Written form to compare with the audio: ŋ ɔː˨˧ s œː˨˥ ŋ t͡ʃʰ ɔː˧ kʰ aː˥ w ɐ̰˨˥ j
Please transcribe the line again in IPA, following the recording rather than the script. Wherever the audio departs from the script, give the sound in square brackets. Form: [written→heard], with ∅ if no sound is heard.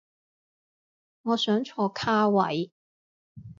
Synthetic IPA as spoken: ŋ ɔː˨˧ s œː˨˥ ŋ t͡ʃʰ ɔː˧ kʰ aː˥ w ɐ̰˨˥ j